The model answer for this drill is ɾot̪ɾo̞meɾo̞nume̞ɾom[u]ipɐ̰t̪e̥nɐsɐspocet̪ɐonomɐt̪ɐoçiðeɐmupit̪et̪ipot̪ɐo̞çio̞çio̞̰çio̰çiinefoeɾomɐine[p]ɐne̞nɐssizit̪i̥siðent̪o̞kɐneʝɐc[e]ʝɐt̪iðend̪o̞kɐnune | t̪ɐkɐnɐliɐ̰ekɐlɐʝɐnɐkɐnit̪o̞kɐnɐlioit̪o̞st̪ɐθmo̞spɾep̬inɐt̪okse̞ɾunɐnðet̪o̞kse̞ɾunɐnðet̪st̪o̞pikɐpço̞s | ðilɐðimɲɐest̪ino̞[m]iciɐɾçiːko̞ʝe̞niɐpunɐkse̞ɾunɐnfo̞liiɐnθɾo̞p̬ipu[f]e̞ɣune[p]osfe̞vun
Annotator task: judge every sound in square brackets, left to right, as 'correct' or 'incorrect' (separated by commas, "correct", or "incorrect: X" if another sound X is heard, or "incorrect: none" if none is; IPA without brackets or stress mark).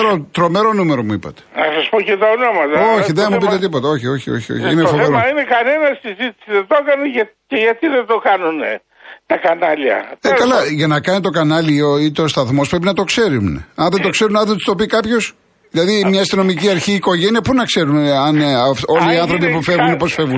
correct, incorrect: k, correct, correct, correct, correct